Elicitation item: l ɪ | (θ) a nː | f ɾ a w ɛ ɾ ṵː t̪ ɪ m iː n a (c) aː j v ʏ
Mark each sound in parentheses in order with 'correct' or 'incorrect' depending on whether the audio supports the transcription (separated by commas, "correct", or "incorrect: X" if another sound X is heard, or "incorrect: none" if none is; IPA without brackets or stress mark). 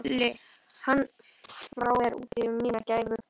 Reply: incorrect: h, correct